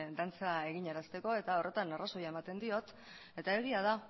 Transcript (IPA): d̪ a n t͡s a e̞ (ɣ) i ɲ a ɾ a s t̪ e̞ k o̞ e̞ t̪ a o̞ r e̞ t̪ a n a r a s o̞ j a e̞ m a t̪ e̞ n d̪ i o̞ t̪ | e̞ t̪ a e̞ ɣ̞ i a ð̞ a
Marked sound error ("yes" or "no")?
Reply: no